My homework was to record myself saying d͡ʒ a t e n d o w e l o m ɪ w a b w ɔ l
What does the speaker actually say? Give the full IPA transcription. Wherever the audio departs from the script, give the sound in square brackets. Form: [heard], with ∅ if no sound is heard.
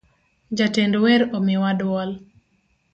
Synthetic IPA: d͡ʒ a t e n d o w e [ɾ] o m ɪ w a [d] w ɔ l